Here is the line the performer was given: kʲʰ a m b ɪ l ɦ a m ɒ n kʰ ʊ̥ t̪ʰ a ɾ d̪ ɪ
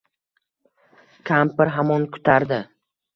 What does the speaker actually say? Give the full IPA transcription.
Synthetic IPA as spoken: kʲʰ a m p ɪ ɾ ɦ a m ɒ n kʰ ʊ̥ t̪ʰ a ɾ d̪ ɪ